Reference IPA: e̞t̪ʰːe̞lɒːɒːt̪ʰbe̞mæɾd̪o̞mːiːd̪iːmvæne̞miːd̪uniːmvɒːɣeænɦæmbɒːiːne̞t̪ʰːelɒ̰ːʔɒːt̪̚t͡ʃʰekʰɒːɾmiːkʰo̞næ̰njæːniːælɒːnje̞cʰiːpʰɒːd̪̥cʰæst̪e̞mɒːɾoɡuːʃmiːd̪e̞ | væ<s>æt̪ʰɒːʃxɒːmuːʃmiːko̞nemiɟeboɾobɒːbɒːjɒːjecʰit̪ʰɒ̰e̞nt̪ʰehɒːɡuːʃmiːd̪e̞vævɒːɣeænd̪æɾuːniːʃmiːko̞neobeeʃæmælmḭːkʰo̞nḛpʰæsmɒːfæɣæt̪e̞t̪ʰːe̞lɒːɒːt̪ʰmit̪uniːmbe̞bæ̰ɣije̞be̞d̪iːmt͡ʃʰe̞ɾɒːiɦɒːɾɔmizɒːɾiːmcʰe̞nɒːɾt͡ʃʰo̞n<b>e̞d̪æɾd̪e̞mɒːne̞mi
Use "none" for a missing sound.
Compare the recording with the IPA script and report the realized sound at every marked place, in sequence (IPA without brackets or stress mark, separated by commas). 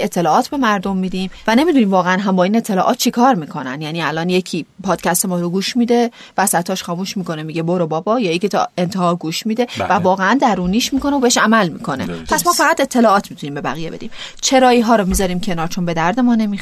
s, b